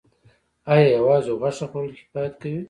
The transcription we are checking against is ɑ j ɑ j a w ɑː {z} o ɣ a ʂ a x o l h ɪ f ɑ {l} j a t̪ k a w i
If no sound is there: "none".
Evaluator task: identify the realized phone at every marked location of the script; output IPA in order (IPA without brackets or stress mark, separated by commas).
z, none